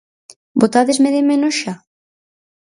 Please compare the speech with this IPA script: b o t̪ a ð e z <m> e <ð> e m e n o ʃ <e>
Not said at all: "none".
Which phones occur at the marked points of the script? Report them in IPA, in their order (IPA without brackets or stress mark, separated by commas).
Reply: m, ð, a